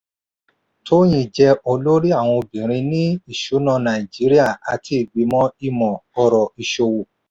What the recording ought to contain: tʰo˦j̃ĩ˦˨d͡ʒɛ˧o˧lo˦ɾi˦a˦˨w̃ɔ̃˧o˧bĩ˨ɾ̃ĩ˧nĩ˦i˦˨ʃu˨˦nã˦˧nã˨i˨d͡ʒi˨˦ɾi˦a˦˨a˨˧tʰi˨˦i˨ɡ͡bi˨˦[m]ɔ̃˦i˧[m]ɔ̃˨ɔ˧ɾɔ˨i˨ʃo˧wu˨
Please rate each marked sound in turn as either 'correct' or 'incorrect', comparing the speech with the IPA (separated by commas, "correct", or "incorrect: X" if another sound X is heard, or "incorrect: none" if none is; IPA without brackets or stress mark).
correct, correct